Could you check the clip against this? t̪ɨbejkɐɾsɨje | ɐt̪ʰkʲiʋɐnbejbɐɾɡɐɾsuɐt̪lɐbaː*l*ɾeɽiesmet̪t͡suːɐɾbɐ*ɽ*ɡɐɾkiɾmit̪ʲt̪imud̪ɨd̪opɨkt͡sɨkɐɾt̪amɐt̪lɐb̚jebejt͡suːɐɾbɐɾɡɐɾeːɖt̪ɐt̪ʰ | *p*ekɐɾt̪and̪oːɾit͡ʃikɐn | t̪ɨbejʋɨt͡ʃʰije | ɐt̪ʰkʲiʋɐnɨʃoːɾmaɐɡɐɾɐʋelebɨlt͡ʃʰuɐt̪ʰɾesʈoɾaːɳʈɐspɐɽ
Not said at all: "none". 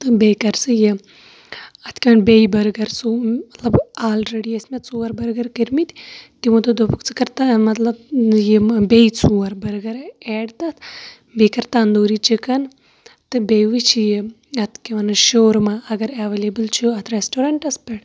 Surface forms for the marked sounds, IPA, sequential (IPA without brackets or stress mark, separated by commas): l, ɾ, b